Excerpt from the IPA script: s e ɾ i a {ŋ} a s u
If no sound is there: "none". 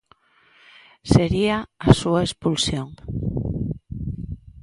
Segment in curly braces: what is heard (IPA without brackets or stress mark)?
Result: none